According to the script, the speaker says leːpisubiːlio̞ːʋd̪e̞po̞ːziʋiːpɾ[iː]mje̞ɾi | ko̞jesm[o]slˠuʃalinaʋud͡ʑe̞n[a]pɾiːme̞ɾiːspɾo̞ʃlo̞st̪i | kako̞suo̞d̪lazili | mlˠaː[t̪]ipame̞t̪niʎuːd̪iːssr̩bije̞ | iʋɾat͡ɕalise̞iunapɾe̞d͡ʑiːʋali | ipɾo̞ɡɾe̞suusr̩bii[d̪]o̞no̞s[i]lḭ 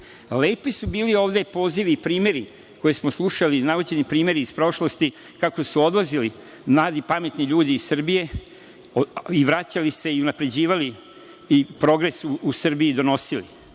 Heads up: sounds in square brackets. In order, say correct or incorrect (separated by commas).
correct, correct, incorrect, incorrect, correct, correct